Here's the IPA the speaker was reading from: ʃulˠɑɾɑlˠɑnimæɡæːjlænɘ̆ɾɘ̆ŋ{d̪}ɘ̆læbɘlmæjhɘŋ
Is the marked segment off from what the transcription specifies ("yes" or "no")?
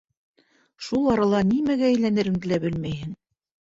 no